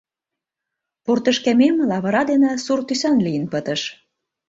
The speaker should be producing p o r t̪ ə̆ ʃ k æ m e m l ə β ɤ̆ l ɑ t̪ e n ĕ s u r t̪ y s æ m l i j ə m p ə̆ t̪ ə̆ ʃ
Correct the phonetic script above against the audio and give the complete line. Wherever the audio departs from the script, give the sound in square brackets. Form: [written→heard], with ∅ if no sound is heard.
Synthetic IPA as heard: p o r t̪ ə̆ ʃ k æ m e m l [ə→ɑ] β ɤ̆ [l→ɾ] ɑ [t̪→d̪] e n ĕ s u r t̪ y s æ [m→n] l i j ə [m→n] p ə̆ t̪ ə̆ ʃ